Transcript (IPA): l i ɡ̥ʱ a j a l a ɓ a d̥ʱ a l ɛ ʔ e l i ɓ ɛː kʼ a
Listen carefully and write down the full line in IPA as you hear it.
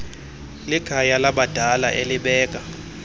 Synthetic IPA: l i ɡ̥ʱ a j a l a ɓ a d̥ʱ a l a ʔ e l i ɓ ɛː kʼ a